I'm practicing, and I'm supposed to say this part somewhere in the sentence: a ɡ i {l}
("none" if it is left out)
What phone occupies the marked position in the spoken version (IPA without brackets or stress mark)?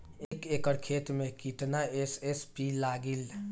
l